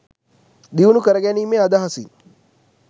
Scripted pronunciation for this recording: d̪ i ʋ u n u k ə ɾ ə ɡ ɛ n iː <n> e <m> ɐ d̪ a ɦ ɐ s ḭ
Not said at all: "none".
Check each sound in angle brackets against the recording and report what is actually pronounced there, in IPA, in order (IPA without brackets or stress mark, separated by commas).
m, none